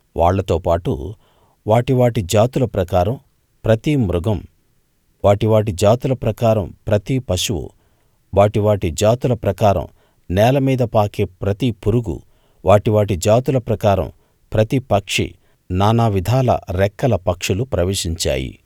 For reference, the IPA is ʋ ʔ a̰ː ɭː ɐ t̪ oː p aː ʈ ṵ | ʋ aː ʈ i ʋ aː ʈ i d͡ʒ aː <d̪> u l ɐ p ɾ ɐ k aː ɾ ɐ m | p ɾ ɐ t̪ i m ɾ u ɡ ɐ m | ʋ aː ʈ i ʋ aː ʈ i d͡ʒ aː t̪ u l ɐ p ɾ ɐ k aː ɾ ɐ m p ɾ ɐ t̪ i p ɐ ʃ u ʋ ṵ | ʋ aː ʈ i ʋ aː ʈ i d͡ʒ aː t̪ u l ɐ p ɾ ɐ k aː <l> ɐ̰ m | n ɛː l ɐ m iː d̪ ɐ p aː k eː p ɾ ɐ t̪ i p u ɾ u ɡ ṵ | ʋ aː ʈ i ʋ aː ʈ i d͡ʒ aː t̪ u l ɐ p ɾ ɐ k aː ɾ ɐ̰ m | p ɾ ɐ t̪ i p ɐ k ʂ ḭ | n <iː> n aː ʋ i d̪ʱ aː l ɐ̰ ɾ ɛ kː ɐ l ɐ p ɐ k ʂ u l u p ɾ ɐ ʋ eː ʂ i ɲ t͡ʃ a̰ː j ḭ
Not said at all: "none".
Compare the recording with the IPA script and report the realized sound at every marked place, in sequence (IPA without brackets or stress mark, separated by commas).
t̪, ɾ, aː